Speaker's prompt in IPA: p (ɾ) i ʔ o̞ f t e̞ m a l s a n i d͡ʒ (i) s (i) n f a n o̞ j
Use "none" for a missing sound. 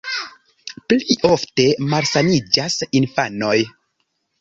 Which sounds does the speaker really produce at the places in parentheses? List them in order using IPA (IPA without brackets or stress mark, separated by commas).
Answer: l, a, i